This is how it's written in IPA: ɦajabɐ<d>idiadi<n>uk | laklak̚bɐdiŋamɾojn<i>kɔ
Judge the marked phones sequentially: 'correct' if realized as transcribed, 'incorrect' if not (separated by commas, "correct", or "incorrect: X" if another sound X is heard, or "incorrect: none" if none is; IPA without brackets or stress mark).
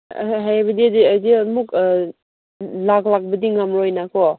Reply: correct, incorrect: m, incorrect: a